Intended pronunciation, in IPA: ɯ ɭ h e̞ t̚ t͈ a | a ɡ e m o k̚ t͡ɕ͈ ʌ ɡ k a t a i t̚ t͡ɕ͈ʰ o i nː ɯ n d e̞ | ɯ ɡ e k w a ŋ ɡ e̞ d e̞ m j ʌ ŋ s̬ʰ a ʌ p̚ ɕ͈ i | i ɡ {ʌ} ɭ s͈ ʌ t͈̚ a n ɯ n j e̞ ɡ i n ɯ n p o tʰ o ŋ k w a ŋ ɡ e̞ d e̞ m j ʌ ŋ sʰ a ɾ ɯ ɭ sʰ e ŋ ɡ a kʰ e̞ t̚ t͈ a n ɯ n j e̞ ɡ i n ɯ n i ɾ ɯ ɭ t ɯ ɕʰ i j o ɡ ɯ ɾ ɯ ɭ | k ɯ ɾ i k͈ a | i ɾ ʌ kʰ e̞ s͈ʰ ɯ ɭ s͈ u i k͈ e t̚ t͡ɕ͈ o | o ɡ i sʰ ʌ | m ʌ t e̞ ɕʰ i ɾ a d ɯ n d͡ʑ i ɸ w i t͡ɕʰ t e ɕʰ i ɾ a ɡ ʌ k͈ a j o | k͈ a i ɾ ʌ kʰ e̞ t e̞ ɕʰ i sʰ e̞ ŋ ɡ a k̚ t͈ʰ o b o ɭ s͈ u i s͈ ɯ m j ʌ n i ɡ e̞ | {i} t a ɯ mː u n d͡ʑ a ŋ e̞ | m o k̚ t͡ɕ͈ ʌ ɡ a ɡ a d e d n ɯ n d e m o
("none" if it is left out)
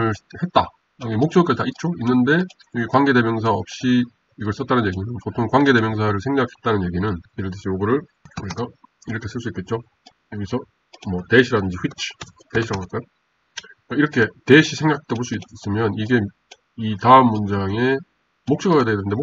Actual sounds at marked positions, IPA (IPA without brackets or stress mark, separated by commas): ʌ, i